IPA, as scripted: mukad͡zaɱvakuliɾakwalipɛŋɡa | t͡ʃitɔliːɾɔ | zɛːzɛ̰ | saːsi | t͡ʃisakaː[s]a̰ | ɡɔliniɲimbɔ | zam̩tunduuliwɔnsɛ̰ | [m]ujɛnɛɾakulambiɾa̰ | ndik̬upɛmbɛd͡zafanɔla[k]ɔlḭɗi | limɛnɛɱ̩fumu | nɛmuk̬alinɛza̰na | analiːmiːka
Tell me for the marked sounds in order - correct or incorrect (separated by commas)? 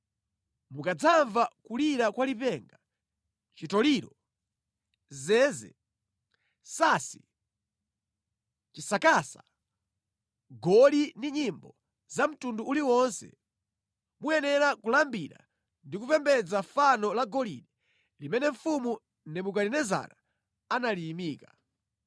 correct, correct, incorrect